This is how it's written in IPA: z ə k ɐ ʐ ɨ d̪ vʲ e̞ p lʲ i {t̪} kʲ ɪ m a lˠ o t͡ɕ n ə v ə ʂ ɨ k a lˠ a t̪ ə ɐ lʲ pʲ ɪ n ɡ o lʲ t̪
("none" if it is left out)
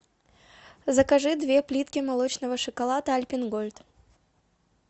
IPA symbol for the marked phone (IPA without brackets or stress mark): t̪